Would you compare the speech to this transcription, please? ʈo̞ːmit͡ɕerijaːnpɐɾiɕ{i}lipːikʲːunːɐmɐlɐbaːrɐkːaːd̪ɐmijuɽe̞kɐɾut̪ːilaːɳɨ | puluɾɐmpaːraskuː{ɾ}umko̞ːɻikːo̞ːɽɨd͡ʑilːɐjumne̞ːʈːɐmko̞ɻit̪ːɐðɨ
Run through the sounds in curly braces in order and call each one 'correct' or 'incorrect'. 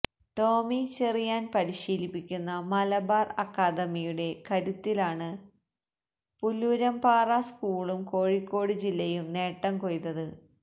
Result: incorrect: iː, incorrect: ɭ

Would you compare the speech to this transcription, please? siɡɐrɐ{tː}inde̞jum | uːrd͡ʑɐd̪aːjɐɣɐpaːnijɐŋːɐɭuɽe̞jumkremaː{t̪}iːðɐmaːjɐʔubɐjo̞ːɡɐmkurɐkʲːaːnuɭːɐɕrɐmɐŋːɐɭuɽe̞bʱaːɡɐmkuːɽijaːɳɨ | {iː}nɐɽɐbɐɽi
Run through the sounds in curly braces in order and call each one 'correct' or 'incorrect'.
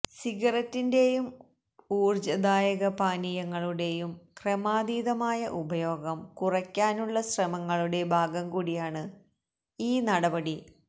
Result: correct, incorrect: d̪, correct

